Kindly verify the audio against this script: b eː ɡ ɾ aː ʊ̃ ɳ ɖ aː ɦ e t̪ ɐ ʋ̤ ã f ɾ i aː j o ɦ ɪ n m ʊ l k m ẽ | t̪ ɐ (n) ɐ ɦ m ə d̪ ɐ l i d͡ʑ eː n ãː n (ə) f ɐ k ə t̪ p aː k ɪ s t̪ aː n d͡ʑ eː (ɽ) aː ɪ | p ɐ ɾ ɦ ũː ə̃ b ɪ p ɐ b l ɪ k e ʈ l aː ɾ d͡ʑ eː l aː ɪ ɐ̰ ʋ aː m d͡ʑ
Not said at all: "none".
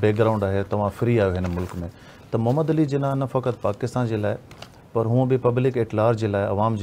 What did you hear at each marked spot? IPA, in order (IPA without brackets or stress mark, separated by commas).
m, ɐ, l